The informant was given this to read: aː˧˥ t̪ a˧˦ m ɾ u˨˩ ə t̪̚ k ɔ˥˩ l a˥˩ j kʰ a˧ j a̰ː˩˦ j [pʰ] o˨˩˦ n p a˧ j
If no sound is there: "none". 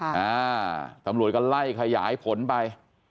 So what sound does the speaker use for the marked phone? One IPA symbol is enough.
pʰ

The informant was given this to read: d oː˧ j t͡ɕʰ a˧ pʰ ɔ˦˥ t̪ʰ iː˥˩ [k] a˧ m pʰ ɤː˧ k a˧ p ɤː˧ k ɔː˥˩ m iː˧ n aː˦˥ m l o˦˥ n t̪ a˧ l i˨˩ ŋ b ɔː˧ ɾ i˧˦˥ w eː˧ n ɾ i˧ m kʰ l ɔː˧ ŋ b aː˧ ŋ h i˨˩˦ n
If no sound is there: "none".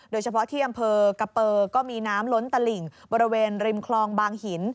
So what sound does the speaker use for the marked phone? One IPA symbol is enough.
ʔ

